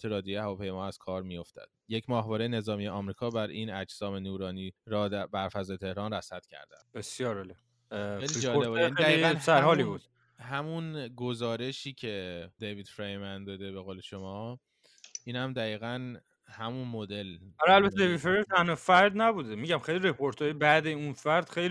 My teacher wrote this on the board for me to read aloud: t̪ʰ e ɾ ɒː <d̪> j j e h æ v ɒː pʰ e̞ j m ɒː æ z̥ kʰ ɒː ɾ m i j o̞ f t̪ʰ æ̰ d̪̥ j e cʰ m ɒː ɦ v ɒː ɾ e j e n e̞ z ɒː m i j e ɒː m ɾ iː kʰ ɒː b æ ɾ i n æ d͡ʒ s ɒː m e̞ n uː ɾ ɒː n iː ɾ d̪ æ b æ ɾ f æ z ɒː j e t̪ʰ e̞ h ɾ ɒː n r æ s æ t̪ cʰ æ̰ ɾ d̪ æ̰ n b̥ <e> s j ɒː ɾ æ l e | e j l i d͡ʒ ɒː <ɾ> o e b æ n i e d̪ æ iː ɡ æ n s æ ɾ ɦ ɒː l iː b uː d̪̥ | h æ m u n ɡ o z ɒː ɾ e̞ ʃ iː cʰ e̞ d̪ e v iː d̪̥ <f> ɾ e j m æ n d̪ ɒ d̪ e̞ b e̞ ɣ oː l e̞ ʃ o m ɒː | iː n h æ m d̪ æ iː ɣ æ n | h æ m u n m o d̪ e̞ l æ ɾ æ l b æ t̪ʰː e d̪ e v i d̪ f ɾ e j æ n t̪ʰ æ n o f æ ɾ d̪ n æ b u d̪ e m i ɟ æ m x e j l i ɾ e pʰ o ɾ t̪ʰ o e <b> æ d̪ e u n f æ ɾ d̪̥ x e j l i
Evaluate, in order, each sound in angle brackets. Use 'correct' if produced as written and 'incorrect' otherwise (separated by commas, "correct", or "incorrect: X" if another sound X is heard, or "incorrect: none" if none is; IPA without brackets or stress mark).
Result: correct, correct, incorrect: l, correct, correct